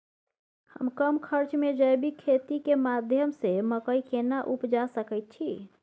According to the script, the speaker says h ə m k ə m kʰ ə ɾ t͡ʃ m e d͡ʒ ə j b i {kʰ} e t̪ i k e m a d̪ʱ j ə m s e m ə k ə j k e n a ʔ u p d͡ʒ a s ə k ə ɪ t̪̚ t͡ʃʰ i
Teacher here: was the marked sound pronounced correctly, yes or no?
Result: yes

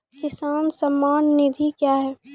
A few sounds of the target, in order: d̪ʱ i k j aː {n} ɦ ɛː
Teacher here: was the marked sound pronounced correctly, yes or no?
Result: no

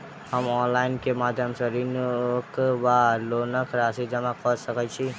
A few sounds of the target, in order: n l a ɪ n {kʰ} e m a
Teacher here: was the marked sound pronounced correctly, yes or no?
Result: no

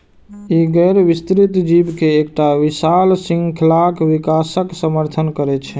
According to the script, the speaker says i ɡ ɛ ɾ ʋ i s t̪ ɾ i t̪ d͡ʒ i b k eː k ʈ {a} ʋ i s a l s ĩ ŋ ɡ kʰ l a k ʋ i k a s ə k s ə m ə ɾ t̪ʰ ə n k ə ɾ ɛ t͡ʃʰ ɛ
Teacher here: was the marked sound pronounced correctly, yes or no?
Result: yes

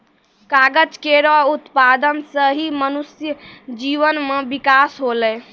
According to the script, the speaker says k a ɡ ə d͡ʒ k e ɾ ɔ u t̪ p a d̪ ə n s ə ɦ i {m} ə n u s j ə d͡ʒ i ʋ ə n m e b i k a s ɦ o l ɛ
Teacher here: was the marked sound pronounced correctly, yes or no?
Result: yes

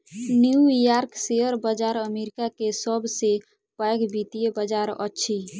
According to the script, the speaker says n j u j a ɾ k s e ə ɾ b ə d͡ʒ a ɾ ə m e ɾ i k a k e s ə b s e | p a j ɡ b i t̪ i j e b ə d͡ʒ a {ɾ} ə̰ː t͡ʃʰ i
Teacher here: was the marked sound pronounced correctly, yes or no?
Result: yes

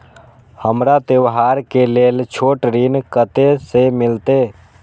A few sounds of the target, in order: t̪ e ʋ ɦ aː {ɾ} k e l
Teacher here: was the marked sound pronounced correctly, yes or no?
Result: yes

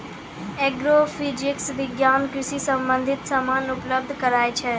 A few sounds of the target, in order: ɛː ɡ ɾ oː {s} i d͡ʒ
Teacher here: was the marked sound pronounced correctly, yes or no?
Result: no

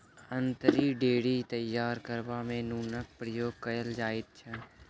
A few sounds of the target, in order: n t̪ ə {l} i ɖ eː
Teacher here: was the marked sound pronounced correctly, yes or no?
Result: no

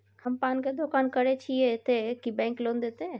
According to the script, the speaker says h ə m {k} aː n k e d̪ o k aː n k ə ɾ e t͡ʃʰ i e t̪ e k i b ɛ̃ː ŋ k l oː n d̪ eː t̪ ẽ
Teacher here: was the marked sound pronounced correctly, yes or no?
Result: no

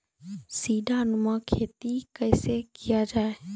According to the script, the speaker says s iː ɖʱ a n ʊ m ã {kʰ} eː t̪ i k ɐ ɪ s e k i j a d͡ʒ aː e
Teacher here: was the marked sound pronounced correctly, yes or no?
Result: yes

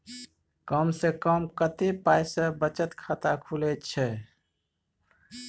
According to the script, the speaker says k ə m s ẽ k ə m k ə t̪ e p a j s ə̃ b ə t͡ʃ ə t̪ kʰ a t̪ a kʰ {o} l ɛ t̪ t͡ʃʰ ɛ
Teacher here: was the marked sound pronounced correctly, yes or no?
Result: no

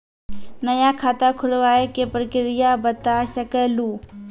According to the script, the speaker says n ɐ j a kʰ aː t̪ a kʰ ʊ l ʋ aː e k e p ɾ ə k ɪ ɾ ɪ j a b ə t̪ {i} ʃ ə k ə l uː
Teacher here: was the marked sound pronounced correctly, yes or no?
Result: no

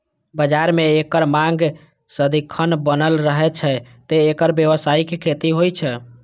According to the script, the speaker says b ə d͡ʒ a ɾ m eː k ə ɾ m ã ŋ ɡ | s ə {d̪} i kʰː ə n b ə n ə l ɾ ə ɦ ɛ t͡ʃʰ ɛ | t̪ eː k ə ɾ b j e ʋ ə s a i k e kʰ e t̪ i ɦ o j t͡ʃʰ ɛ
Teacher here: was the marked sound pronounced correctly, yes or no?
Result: yes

